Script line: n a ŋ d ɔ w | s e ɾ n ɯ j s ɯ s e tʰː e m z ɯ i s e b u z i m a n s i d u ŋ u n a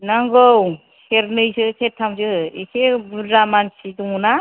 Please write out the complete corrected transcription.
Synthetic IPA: n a ŋ ɡ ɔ w | s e ɾ n ɯ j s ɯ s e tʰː a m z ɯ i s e b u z a m a n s i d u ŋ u n a